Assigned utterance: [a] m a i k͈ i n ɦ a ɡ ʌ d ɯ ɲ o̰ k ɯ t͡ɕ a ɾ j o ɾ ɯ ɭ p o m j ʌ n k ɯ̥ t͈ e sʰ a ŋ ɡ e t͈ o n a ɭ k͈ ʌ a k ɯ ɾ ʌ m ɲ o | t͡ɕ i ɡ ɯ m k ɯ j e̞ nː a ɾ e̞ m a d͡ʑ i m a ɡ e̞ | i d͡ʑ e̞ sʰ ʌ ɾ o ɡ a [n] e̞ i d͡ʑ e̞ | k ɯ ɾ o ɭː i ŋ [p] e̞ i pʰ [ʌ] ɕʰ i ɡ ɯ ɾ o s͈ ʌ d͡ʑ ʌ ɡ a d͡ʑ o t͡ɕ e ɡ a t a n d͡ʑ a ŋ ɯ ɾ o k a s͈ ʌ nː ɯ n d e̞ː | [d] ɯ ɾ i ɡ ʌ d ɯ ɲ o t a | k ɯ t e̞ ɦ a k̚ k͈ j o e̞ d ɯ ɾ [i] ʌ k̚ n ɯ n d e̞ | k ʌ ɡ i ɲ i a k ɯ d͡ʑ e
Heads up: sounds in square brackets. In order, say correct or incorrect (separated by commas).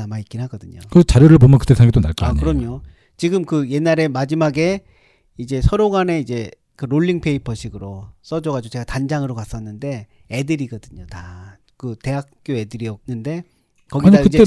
correct, correct, incorrect, correct, correct, correct